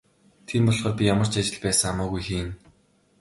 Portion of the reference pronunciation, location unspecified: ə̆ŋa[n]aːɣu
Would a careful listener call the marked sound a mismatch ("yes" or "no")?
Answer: yes